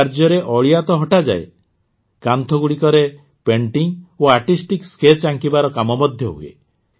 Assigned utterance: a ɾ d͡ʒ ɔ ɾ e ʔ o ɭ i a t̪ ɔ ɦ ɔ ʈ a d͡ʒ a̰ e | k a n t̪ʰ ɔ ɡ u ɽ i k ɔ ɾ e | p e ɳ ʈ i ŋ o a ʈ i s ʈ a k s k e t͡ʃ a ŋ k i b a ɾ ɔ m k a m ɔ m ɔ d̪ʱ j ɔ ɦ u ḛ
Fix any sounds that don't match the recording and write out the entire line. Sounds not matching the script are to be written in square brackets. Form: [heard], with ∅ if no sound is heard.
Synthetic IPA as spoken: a ɾ d͡ʒ ɔ ɾ e ʔ [ɔ] ɭ i a t̪ ɔ ɦ ɔ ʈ a d͡ʒ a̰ e | k a n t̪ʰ ɔ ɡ u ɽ i k ɔ ɾ e | p e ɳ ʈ i ŋ o a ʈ i s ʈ [i] k s k e t͡ʃ a ŋ k i b a ɾ ɔ [∅] k a m ɔ m ɔ d̪ʱ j ɔ ɦ u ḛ